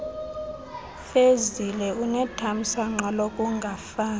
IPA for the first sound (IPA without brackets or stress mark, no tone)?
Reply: f